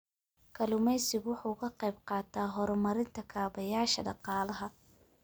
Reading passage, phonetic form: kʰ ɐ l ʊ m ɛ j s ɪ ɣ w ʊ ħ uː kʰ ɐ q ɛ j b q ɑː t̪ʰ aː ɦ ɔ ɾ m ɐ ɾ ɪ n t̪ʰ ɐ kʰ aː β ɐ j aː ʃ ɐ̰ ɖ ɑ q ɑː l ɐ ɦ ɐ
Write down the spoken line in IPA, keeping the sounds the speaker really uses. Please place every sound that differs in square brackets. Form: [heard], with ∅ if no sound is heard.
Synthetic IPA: kʰ ɐ l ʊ m ɛ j s ɪ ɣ w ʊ ħ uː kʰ ɐ q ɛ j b q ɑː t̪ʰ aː ɦ ɔ ɾ m ɐ ɾ ɪ n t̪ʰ ɐ kʰ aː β ɐ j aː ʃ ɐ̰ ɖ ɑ q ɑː l ɐ ɦ ɐ